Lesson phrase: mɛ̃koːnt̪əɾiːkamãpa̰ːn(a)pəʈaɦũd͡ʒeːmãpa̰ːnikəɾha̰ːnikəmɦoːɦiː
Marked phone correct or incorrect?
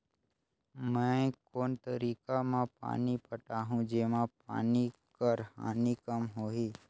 incorrect